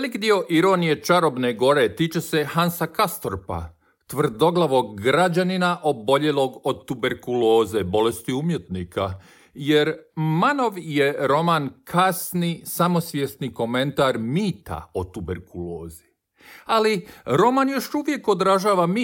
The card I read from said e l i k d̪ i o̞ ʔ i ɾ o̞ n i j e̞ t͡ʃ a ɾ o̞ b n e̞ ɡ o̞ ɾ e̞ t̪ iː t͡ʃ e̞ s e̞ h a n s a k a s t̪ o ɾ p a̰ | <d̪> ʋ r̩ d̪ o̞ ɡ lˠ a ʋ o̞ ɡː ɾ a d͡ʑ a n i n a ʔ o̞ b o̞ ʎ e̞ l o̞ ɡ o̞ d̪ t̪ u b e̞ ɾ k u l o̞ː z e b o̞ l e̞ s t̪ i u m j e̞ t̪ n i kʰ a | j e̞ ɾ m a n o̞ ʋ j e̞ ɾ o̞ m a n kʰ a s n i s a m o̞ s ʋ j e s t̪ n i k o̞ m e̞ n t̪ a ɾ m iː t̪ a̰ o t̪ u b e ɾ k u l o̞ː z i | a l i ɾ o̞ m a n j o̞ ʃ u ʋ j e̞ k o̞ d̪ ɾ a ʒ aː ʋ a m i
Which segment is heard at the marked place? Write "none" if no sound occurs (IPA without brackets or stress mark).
t̪